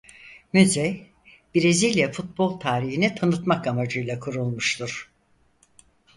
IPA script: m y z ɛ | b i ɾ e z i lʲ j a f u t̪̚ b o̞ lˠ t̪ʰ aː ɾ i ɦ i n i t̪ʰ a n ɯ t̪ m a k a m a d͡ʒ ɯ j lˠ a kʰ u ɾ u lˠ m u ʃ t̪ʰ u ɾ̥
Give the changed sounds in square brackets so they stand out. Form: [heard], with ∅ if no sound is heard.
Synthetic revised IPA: m y z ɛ | b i ɾ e z i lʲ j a f u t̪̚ b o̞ lˠ t̪ʰ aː ɾ i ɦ i n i t̪ʰ a n ɯ t̪ m a k a m a d͡ʒ ɯ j lˠ a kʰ u ɾ u lˠ m u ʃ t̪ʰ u ɾ̥